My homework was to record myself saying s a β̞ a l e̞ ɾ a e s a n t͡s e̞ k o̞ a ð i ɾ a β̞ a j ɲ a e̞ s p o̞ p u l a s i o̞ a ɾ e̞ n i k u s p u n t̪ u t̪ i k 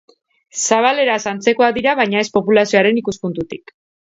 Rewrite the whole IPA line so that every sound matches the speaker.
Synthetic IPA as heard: s a β̞ a l e̞ ɾ a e s a n t͡s e̞ k o̞ a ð i ɾ a β̞ a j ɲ a e̞ s p o̞ p u l a s i o̞ a ɾ e̞ n i k u s p u n t̪ u t̪ i k